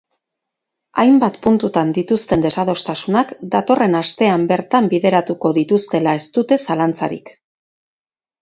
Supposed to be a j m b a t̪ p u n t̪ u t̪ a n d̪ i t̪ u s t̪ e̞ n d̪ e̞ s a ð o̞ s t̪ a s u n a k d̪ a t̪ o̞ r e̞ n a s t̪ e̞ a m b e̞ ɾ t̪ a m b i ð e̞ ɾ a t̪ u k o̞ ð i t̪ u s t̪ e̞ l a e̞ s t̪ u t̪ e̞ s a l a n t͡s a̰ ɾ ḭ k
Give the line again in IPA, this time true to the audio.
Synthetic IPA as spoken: a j m b a t̪ p u n t̪ u t̪ a n d̪ i t̪ u s t̪ e̞ n d̪ e̞ s a ð o̞ s t̪ a s u n a k d̪ a t̪ o̞ r e̞ n a s t̪ e̞ a m b e̞ ɾ t̪ a m b i ð e̞ ɾ a t̪ u k o̞ ð i t̪ u s t̪ e̞ l a e̞ s t̪ u t̪ e̞ s a l a n t͡s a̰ ɾ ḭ k